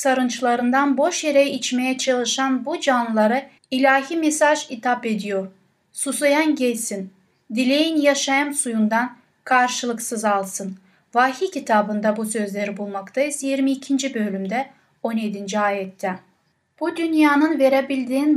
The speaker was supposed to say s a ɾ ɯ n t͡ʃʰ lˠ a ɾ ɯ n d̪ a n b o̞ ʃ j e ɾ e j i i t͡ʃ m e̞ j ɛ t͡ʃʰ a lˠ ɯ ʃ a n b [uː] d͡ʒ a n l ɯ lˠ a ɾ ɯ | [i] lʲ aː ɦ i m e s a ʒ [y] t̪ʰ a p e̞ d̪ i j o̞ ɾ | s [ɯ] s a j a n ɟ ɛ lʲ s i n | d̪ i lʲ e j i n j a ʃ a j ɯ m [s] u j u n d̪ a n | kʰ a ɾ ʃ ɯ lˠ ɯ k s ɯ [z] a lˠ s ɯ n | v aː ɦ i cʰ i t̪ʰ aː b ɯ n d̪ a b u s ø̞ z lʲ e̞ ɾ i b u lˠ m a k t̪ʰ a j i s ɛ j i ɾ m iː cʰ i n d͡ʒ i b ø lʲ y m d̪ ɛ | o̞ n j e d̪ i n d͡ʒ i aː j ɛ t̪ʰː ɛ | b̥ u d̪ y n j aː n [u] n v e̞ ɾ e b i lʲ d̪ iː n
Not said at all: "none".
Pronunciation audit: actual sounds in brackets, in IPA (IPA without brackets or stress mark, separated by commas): u, i, i, u, s, z, ɯ